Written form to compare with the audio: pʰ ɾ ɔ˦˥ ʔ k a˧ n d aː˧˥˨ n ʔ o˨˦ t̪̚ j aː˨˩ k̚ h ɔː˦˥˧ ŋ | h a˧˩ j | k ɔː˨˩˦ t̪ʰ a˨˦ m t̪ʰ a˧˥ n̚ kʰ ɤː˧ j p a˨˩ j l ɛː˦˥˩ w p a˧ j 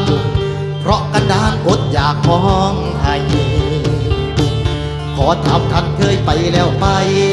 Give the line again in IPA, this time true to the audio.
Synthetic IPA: pʰ ɾ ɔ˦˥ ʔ k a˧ n d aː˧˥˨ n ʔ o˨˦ t̪̚ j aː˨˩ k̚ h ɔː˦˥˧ ŋ | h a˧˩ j | k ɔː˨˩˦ t̪ʰ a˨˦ m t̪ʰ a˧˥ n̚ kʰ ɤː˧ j p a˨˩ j l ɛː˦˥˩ w p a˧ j